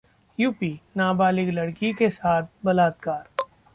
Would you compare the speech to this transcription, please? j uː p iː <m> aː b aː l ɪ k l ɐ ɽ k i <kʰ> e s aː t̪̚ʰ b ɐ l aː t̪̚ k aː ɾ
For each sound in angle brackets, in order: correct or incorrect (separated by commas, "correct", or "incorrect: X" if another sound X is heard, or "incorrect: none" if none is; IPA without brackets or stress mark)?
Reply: incorrect: n, incorrect: k